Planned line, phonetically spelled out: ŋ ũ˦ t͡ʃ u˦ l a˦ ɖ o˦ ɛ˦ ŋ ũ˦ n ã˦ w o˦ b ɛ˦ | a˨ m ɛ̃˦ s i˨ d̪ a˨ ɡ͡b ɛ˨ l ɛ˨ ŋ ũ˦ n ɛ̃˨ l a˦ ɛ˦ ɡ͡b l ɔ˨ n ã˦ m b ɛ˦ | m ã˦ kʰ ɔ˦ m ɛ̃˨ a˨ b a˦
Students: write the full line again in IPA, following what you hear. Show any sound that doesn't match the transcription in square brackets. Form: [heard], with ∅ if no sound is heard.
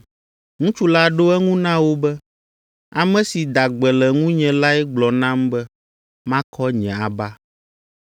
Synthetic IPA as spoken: ŋ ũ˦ t͡ʃ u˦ l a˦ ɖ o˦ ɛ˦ ŋ ũ˦ n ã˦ w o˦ b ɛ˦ | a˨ m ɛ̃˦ s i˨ d̪ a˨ ɡ͡b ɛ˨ l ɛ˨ ŋ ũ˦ [ɲ] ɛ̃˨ l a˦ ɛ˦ ɡ͡b l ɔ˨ n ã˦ m b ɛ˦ | m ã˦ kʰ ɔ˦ [ɲ] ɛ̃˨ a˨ b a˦